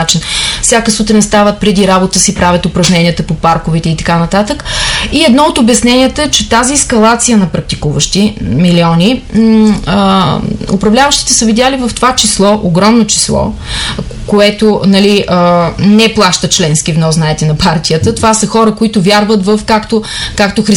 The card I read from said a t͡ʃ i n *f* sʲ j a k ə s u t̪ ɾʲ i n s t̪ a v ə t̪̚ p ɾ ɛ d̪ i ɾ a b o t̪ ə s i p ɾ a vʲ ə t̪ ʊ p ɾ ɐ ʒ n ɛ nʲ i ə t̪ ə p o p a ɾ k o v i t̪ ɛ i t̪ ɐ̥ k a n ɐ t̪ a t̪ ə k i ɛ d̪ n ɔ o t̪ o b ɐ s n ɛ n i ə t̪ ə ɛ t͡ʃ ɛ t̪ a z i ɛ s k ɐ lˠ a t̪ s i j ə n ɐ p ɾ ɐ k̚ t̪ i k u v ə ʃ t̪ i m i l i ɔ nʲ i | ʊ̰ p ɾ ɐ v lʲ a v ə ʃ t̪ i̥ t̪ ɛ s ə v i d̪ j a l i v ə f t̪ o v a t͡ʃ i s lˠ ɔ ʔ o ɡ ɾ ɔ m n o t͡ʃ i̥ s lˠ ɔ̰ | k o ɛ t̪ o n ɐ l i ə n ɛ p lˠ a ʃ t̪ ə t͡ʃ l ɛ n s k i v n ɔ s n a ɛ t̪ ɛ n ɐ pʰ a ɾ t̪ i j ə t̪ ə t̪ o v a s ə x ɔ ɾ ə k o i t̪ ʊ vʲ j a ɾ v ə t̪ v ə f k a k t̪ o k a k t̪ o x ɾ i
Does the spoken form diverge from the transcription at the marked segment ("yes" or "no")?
no